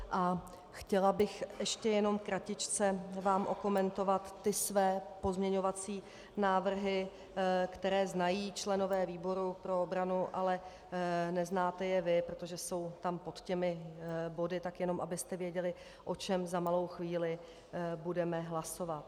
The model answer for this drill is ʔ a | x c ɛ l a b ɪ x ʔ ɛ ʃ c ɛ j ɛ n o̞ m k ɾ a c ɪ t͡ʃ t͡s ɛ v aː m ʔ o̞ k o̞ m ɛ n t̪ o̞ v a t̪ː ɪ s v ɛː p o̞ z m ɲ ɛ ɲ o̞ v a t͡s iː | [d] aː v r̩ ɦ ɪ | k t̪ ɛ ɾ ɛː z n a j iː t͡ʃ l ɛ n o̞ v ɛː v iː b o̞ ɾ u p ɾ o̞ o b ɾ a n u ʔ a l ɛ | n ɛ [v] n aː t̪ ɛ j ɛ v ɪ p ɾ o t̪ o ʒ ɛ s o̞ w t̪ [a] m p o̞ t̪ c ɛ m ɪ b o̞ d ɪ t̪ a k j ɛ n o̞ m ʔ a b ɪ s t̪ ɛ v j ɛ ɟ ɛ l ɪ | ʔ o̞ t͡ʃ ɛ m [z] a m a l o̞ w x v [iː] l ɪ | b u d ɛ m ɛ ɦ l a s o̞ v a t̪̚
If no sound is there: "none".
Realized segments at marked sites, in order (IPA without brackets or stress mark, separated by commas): n, z, a, z, iː